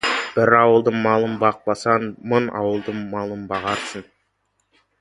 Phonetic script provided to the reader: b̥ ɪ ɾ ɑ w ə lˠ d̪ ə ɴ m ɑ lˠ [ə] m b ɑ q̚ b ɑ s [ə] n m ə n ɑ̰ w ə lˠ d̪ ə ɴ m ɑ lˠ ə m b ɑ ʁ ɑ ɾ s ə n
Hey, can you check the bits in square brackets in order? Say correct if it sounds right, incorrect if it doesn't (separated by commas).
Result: correct, incorrect